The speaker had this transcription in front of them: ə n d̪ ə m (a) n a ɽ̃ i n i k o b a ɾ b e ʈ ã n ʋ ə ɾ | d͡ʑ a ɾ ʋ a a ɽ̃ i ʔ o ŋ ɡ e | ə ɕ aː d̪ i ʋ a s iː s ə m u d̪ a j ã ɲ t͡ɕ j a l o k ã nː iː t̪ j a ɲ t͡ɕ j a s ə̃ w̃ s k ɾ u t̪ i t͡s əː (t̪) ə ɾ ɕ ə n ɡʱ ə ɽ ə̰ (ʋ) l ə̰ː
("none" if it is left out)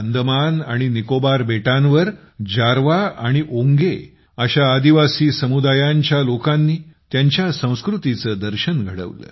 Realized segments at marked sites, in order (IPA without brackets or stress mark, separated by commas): a, d̪, ʋ